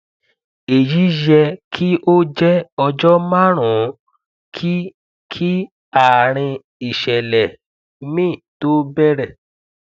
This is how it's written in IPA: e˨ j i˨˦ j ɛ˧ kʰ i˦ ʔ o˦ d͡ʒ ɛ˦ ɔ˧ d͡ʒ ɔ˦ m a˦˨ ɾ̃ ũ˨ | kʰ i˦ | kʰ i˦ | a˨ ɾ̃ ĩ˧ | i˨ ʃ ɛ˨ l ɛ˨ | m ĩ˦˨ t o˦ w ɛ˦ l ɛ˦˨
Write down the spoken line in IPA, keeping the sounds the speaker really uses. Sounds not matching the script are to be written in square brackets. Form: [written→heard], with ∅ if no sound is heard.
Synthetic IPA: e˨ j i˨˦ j ɛ˧ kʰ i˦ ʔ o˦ d͡ʒ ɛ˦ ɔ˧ d͡ʒ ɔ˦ m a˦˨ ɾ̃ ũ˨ | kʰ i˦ | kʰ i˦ | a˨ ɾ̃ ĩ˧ | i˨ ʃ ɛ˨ l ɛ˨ | m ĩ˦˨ t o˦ [w→b] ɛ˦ [l→ɾ] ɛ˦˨